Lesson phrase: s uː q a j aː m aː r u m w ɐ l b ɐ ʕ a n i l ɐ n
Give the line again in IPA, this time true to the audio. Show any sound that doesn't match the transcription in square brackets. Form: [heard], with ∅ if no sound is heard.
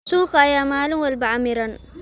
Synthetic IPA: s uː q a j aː m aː [l] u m w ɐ l b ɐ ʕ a [m] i [ɾ] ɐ n